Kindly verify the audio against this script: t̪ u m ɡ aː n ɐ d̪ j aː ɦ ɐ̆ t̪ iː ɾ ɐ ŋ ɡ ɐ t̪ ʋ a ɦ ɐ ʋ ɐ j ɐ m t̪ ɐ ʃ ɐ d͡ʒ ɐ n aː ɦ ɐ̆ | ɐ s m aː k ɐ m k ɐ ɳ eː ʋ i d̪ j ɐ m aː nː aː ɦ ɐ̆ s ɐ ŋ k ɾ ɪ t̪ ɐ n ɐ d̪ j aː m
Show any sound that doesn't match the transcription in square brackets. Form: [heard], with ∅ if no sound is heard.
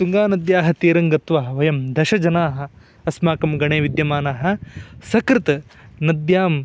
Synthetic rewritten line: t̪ u [ŋ] ɡ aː n ɐ d̪ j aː ɦ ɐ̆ t̪ iː ɾ ɐ ŋ ɡ ɐ t̪ ʋ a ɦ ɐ ʋ ɐ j ɐ m [d̪] ɐ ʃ ɐ d͡ʒ ɐ n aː ɦ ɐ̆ | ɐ s m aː k ɐ m [ɡ] ɐ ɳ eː ʋ i d̪ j ɐ m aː [n] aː ɦ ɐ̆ s ɐ [∅] k ɾ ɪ t̪ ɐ n ɐ d̪ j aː m